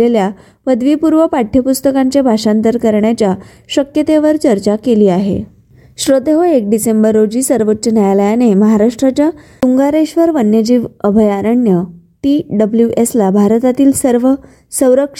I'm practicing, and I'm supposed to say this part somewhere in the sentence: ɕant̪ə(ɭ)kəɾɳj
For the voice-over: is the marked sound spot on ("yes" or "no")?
no